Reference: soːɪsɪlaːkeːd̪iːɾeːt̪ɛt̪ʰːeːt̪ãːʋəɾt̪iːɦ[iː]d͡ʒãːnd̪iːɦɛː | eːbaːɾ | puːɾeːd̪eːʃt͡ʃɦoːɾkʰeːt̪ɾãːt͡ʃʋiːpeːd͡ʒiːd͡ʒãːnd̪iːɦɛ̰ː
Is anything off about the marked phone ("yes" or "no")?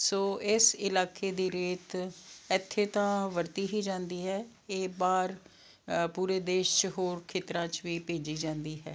no